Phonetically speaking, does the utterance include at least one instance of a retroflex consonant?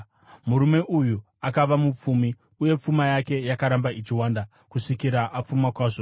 yes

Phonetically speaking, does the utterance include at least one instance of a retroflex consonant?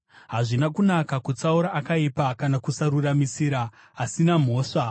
yes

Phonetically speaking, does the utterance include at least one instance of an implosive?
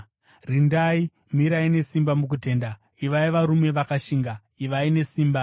no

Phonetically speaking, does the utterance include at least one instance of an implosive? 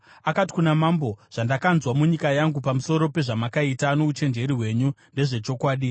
yes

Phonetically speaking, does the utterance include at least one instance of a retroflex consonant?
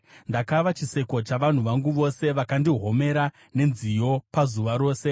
no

